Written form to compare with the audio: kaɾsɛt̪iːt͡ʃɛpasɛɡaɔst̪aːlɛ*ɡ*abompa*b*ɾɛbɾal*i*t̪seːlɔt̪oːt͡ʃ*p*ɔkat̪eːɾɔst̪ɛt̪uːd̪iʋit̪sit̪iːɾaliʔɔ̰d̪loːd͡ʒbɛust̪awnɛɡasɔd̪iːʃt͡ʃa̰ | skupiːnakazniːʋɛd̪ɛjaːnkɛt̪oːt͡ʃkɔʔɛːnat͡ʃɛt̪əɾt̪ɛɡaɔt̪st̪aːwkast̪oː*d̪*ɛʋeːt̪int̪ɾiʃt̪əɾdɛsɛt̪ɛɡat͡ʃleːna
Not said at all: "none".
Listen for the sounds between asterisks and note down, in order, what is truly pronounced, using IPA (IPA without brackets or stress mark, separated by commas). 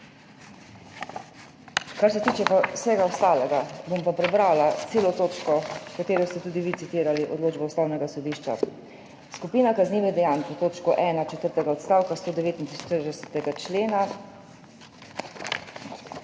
ɡ, p, a, k, d̪